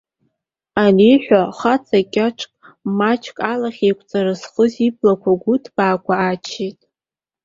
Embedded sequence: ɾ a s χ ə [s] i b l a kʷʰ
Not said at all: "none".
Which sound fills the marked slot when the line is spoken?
z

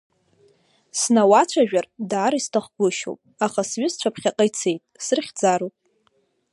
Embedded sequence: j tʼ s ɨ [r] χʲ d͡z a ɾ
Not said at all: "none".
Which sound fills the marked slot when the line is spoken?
r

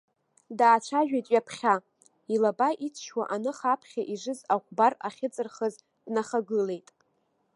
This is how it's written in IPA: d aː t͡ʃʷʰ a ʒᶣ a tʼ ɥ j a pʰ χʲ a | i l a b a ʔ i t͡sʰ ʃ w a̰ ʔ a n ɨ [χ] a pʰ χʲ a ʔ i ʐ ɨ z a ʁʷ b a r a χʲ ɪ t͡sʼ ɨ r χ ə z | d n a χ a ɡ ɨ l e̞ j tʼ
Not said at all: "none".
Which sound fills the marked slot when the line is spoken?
χ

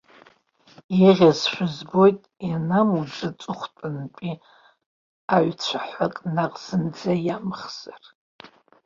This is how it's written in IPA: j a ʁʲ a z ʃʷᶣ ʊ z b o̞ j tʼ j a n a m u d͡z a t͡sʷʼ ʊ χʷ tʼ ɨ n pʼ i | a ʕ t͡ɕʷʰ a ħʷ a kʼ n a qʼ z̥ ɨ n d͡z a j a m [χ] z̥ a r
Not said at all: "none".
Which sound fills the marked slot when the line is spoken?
χ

